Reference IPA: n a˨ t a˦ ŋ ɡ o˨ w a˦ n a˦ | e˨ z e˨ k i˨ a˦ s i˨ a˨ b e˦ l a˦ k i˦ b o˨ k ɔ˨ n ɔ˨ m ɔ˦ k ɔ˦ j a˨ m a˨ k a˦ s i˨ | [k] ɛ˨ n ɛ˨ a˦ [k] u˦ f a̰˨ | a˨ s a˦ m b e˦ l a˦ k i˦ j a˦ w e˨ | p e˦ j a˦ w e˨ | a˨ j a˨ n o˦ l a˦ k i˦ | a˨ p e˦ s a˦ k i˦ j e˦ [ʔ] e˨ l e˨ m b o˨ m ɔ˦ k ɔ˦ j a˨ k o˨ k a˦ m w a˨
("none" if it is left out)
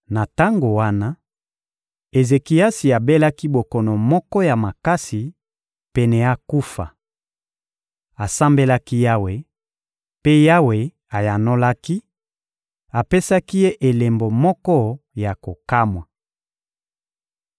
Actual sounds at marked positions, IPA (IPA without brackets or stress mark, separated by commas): p, k, ʔ